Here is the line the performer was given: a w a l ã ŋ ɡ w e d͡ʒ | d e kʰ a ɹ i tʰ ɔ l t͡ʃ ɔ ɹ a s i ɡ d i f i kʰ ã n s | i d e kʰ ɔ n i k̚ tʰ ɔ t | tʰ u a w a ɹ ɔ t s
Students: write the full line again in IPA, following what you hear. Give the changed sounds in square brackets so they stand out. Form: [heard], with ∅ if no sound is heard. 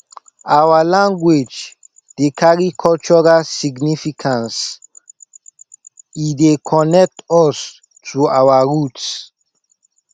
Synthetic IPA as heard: a w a l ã ŋ ɡ w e d͡ʒ | d e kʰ a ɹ i [kʰ] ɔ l t͡ʃ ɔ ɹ a s i ɡ [n] i f i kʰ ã n s | i d e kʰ ɔ n [ɛ] k̚ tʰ ɔ [s] | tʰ u a w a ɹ [u] t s